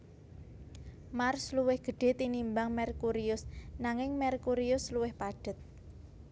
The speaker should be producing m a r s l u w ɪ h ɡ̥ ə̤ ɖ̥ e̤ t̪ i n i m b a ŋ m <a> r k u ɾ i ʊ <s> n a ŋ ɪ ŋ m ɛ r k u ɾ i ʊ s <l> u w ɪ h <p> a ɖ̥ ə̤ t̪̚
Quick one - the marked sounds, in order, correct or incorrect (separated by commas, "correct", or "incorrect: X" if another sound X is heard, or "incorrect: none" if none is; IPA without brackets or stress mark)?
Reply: incorrect: ɛ, correct, correct, correct